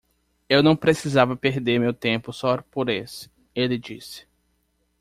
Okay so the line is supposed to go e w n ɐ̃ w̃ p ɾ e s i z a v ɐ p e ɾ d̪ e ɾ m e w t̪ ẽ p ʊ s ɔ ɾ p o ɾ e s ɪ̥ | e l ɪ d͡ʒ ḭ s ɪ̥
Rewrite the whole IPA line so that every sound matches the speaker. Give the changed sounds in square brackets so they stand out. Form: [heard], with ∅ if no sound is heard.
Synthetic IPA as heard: e w n ɐ̃ w̃ p ɾ e s i z a v ɐ p e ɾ d̪ e ɾ m e w t̪ ẽ p ʊ s ɔ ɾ p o ɾ e s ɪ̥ | e l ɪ d͡ʒ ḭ s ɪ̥